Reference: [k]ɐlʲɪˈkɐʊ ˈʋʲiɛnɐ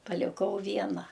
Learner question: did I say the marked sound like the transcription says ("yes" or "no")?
no